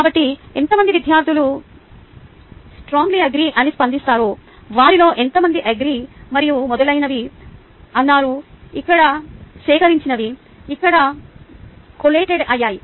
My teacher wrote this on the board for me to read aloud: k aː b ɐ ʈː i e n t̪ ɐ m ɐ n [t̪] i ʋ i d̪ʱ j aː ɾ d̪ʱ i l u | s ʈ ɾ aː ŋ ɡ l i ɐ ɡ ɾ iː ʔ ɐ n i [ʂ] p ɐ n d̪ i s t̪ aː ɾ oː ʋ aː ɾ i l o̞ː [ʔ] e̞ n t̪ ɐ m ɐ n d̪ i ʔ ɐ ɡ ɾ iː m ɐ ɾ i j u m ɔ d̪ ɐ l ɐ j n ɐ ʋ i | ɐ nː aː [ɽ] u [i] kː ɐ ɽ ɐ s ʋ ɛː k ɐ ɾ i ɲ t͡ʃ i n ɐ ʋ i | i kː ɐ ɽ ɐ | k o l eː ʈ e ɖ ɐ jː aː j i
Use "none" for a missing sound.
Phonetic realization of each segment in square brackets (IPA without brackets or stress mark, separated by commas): d̪, s, ʔ, ɾ, i